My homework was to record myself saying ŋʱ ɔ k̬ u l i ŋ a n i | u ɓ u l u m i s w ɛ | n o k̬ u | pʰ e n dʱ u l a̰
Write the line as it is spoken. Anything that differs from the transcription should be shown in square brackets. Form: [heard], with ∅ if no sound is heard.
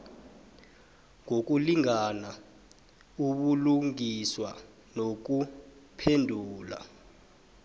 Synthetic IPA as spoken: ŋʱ [o] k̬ u l i ŋ a n [a] | u ɓ u l u [ŋ] i s w [a] | n o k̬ u | pʰ e n dʱ [uː] l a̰